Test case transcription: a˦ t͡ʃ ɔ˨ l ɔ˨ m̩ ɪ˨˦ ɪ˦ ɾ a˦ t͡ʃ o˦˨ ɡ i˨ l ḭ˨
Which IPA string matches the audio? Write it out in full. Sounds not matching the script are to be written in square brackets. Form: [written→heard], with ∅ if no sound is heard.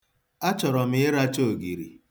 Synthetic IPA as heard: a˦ t͡ʃ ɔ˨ [l→ɾ] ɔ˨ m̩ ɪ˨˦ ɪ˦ ɾ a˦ t͡ʃ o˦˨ ɡ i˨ [l→ɾ] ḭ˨

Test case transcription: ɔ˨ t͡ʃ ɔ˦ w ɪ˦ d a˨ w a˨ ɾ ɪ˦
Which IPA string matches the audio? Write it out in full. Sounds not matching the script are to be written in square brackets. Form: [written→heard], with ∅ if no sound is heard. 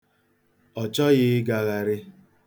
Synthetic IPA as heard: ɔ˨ t͡ʃ ɔ˦ [w→ɣ] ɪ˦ [d→ɡ] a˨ [w→ɣ] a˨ ɾ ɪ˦

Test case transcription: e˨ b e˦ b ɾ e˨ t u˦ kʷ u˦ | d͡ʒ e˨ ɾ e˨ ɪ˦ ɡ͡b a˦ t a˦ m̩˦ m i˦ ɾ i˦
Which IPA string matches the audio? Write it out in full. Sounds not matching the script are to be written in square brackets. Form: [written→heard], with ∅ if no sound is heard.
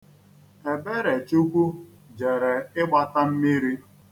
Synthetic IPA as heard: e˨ b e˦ [b→∅] ɾ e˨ [t→t͡ʃ] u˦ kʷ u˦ | d͡ʒ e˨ ɾ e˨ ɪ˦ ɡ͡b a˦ t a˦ m̩˦ m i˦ ɾ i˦

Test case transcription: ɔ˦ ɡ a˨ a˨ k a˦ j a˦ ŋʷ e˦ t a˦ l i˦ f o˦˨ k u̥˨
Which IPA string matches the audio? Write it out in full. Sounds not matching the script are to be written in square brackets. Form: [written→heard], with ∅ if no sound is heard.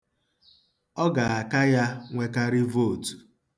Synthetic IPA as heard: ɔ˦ ɡ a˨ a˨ k a˦ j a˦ ŋʷ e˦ [t→k] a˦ [l→ɾ] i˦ [f→v] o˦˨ [k→t] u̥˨

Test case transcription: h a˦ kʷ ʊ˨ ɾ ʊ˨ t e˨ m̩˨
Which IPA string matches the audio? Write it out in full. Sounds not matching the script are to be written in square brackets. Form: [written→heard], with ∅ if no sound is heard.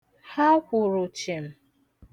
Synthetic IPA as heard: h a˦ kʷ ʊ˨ ɾ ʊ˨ [t→t͡ʃ] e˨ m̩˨

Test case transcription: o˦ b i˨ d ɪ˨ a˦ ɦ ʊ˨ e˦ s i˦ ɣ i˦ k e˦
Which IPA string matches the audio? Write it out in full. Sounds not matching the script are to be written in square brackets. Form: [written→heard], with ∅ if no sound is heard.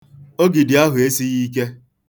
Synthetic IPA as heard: o˦ [b→ɡ] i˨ d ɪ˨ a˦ ɦ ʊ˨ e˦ s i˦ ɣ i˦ k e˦

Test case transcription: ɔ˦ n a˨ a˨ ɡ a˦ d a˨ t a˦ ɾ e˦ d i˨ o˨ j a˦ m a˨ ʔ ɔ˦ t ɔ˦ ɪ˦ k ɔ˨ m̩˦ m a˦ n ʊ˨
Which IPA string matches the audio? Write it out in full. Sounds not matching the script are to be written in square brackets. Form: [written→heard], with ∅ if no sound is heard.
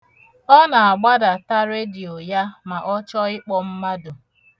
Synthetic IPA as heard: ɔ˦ n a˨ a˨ [ɡ→ɡ͡b] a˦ d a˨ t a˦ ɾ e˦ d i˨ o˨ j a˦ m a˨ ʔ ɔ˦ [t→t͡ʃ] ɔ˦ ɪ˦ [k→k͡p] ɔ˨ m̩˦ m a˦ [n→d] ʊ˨

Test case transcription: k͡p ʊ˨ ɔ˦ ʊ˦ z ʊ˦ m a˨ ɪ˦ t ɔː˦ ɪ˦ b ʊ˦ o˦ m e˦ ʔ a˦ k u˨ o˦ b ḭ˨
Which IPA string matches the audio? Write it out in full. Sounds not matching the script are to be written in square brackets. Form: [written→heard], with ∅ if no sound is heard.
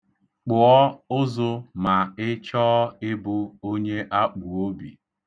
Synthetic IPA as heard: k͡p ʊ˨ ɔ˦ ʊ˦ z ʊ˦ m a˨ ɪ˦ [t→t͡ʃ] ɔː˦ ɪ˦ b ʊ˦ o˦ [m→ɲ] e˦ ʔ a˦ [k→k͡p] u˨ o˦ b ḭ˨

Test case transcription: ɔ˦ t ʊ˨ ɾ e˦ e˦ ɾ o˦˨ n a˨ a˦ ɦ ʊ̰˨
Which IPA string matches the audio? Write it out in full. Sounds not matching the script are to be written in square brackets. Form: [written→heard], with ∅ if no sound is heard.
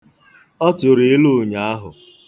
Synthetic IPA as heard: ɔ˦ t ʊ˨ ɾ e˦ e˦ [ɾ→l] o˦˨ [n→ɲ] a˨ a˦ ɦ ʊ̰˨

